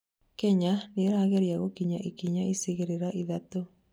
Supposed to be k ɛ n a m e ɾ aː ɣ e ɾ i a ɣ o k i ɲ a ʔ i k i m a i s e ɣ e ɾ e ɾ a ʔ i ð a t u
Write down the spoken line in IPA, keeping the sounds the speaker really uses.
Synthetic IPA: k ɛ ɲ a n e ɾ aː ɣ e ɾ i a ɣ o k i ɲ a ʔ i k i ɲ a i s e ɣ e ɾ e ɾ a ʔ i ð a t o

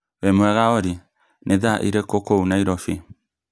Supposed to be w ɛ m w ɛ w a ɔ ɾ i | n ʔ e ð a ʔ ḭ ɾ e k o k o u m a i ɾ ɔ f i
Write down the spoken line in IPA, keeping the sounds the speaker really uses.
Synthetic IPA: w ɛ m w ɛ ɣ a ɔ ɾ i | n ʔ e ð a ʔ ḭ ɾ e k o k o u n a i ɾ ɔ f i

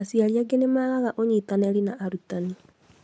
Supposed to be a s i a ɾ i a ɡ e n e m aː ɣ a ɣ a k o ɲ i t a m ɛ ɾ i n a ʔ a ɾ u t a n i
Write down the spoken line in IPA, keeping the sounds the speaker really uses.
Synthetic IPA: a s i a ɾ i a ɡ e n e m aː ɣ a ɣ a ʔ o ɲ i t a n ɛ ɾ i n a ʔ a ɾ u t a n i

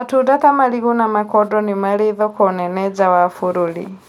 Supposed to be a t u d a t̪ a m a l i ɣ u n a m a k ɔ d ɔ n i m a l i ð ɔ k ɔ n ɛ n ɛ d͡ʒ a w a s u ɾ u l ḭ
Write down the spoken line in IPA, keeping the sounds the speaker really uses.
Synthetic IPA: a t u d a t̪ a m a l i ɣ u n a m a k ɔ d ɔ n i m a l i ð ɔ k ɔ n ɛ n ɛ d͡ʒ a w a f u ɾ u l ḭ

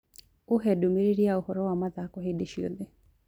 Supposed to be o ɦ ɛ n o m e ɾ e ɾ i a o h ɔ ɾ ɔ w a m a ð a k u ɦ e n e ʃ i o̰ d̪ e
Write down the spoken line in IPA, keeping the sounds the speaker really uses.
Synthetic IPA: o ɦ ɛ d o m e ɾ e ɾ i a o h ɔ ɾ ɔ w a m a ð a k ɔ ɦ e d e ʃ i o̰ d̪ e

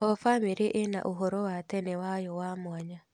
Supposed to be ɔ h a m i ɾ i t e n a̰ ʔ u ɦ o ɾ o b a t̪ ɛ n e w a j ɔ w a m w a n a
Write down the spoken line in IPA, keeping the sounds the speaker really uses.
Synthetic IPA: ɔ f a m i ɾ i ʔ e n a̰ ʔ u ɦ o ɾ o w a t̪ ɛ n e w a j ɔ w a m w a ɲ a

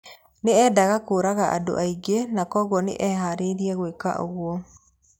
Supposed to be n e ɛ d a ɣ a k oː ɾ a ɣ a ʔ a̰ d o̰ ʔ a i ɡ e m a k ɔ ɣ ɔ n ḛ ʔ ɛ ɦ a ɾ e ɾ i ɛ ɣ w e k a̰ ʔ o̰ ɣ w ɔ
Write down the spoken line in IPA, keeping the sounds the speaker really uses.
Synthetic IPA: n e ɛ d a ɣ a k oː ɾ a ɣ a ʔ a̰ d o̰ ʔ a i ɡ e n a k ɔ ɣ ɔ n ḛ ʔ ɛ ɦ a ɾ e ɾ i ɛ ɣ w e k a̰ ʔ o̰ ɣ w ɔ

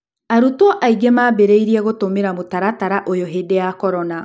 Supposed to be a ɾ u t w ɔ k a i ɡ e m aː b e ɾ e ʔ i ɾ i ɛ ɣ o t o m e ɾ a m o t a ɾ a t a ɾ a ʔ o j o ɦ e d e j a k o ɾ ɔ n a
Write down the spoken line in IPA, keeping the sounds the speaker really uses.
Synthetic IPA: a ɾ u t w ɔ ʔ a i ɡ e m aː b e ɾ e i ɾ i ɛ ɣ o t o m e ɾ a m o t a ɾ a t a ɾ a ʔ o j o ɦ e d e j a k ɔ ɾ ɔ n a

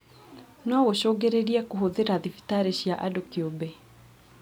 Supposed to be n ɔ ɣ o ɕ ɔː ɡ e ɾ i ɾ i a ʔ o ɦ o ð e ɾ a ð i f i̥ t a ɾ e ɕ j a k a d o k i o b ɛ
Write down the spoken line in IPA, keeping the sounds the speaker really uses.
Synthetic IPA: n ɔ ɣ o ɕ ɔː ɡ e ɾ e ɾ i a k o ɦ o ð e ɾ a ð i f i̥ t a ɾ e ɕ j a ʔ a d o k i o b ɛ

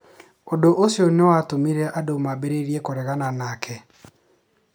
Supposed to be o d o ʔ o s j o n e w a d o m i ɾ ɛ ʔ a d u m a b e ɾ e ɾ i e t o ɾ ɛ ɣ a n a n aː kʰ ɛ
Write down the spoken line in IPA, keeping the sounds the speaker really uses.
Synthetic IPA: o d o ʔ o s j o n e w a t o m i ɾ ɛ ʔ a d o m a b e ɾ e ɾ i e k o ɾ ɛ ɣ a n a n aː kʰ ɛ

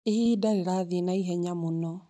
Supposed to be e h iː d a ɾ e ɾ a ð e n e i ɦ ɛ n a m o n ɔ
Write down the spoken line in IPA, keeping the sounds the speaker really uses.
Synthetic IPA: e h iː d a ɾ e ɾ a ð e n a i ɦ ɛ ɲ a m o n ɔ

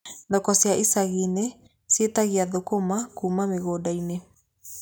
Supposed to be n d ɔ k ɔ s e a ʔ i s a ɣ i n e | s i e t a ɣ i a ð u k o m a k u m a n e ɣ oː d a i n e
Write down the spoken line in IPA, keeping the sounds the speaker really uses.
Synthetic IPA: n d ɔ k ɔ s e a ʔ i s a ɣ i n e | s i e t a ɣ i a ð o k o m a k u m a m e ɣ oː d a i n e

